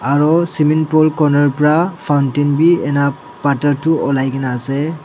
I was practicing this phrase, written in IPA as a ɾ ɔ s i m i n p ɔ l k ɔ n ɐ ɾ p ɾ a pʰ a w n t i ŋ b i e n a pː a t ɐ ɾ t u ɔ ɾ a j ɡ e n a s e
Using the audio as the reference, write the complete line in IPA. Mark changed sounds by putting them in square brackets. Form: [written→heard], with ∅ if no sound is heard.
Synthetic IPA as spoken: a ɾ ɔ s i m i n p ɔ l k ɔ n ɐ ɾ p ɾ a pʰ a w n t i [ŋ→n] b i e n a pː a t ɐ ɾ t u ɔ [ɾ→l] a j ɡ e n a s e